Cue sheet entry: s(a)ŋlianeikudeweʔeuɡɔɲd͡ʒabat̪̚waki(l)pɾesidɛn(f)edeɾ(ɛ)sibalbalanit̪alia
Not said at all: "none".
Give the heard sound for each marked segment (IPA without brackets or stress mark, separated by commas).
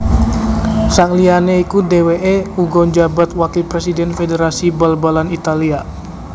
a, l, f, a